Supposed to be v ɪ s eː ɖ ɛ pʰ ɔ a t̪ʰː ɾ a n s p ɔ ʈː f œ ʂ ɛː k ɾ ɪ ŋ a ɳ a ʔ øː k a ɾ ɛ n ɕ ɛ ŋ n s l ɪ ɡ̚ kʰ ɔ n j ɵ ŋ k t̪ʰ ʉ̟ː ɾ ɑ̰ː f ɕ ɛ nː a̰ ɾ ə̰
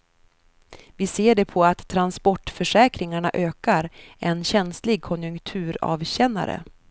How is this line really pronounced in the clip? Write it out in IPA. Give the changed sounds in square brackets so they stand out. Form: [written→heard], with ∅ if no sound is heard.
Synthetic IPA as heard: v ɪ s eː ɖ ɛ pʰ ɔ a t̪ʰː ɾ a n s p ɔ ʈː f œ ʂ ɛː k ɾ ɪ ŋ a ɳ a ʔ øː k a ɾ ɛ n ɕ ɛ [ŋ→∅] n s l ɪ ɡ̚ kʰ ɔ n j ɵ ŋ k t̪ʰ ʉ̟ː ɾ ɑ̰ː [f→v] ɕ ɛ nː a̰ ɾ ə̰